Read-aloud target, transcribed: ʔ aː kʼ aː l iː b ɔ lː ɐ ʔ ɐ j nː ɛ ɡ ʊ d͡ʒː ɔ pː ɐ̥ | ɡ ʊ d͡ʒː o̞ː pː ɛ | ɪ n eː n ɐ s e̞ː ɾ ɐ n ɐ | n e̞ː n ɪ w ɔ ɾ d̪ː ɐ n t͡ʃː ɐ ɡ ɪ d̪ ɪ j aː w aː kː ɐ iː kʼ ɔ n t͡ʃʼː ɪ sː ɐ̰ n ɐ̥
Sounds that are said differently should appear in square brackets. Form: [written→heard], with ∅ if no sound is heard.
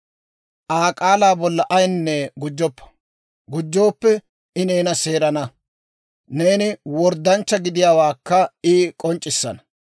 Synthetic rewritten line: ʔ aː kʼ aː l [iː→aː] b ɔ lː ɐ ʔ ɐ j nː ɛ ɡ ʊ d͡ʒː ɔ pː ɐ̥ | ɡ ʊ d͡ʒː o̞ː pː ɛ | ɪ n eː n ɐ s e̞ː ɾ ɐ n ɐ | n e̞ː n ɪ w ɔ ɾ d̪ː ɐ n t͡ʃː ɐ ɡ ɪ d̪ ɪ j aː w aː kː ɐ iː kʼ ɔ n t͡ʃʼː ɪ sː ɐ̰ n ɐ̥

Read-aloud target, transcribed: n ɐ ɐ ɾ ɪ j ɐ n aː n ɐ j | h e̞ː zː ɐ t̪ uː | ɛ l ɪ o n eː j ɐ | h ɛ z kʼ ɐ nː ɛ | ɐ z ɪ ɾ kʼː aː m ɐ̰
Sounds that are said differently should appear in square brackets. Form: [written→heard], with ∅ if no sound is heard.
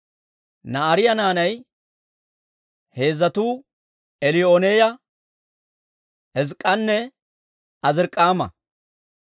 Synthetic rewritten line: n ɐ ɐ ɾ ɪ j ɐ n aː n ɐ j | h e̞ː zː ɐ t̪ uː | ɛ l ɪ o n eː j ɐ | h ɛ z kʼ ɐ nː ɛ | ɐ z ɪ ɾ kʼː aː m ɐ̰

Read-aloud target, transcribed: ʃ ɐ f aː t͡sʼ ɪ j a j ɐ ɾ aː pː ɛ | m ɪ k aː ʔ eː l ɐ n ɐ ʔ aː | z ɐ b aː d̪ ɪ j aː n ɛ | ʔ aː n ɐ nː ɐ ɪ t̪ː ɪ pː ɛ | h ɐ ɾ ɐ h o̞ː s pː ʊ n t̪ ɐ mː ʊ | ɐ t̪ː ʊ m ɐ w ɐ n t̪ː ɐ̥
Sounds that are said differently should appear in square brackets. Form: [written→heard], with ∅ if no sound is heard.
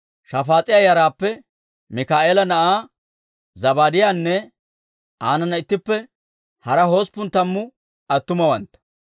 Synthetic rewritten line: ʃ ɐ f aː t͡sʼ ɪ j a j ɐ ɾ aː pː ɛ | m ɪ k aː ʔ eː l ɐ n ɐ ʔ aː | z ɐ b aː d̪ ɪ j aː [n→nː] ɛ | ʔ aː n ɐ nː ɐ ɪ t̪ː ɪ pː ɛ | h ɐ ɾ ɐ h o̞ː s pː ʊ n t̪ ɐ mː ʊ | ɐ t̪ː ʊ m ɐ w ɐ n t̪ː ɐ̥

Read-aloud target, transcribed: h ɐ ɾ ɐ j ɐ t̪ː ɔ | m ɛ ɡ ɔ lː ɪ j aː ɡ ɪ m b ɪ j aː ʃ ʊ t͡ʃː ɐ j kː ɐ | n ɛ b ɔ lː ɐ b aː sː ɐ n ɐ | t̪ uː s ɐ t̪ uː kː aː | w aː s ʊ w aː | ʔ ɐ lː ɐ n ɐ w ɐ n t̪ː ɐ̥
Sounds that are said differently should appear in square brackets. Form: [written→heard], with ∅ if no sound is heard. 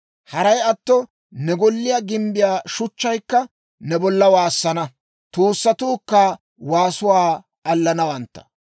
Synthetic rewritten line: h ɐ ɾ ɐ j ɐ t̪ː ɔ | [m→n] ɛ ɡ ɔ lː ɪ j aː ɡ ɪ m b ɪ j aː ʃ ʊ t͡ʃː ɐ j kː ɐ | n ɛ b ɔ lː ɐ [b→w] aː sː ɐ n ɐ | t̪ uː [s→sː] ɐ t̪ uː kː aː | w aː s ʊ w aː | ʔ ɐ lː ɐ n ɐ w ɐ n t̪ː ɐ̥

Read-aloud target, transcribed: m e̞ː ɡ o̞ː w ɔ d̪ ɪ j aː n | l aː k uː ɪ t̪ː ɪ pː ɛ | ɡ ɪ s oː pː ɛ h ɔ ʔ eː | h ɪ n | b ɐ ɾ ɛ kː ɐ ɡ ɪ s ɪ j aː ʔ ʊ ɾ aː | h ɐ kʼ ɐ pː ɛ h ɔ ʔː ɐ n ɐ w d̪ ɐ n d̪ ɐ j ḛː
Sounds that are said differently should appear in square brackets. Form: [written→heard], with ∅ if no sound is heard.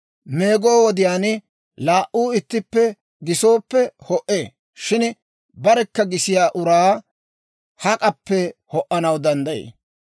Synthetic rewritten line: m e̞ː ɡ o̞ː w ɔ d̪ ɪ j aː n | l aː [k→ʔ] uː ɪ t̪ː ɪ pː ɛ | ɡ ɪ s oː pː ɛ h ɔ ʔ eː | [h→ʃ] ɪ n | b ɐ ɾ ɛ kː ɐ ɡ ɪ s ɪ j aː ʔ ʊ ɾ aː | h ɐ kʼ ɐ pː ɛ h ɔ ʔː ɐ n ɐ w d̪ ɐ n d̪ ɐ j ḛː

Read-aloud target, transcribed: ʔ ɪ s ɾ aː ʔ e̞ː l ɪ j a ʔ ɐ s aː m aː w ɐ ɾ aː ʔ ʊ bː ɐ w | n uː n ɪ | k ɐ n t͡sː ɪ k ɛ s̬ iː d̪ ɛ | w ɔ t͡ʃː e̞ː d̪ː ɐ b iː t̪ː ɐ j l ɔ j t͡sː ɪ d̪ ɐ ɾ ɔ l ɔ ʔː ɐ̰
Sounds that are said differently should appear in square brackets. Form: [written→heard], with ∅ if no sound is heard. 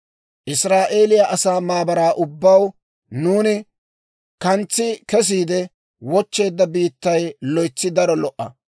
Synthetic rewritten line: ʔ ɪ s ɾ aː ʔ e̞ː l ɪ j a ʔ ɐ s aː m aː [w→b] ɐ ɾ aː ʔ ʊ bː ɐ w | n uː n ɪ | k ɐ n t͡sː ɪ k ɛ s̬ iː d̪ ɛ | w ɔ t͡ʃː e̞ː d̪ː ɐ b iː t̪ː ɐ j l ɔ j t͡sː ɪ d̪ ɐ ɾ ɔ l ɔ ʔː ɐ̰

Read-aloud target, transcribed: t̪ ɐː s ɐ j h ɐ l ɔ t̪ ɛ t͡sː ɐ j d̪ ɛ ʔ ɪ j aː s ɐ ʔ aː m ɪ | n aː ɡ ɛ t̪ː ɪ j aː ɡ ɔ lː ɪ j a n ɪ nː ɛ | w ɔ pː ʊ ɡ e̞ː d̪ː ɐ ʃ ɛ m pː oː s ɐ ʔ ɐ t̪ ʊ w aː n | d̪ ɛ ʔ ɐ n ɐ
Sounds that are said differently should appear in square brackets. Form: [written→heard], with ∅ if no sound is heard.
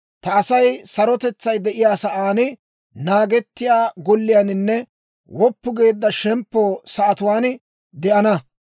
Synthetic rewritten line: t̪ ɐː s ɐ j [h→s] ɐ [l→ɾ] ɔ t̪ ɛ t͡sː ɐ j d̪ ɛ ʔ ɪ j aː s ɐ ʔ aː [m→n] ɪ | n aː ɡ ɛ t̪ː ɪ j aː ɡ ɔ lː ɪ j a n ɪ nː ɛ | w ɔ pː ʊ ɡ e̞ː d̪ː ɐ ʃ ɛ m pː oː s ɐ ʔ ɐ t̪ ʊ w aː n | d̪ ɛ ʔ ɐ n ɐ

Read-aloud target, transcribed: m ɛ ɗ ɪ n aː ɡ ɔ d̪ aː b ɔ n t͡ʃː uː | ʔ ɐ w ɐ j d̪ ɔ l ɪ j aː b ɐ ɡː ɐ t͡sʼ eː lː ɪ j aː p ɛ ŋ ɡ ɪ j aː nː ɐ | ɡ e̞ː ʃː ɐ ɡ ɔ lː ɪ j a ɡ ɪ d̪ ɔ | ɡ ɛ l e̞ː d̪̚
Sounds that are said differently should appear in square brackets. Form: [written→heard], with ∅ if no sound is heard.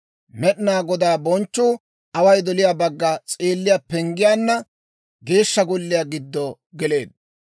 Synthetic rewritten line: m ɛ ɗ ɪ n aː ɡ ɔ d̪ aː b ɔ n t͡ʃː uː | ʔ ɐ w ɐ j d̪ ɔ l ɪ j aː b ɐ ɡː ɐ t͡sʼ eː lː ɪ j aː p ɛ ŋ ɡ ɪ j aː nː ɐ | ɡ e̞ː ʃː ɐ ɡ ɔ lː ɪ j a ɡ ɪ [d̪→d̪ː] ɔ | ɡ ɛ l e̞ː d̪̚

